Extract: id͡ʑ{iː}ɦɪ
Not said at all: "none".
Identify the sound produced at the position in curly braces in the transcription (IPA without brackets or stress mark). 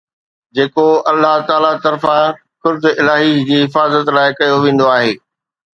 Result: iː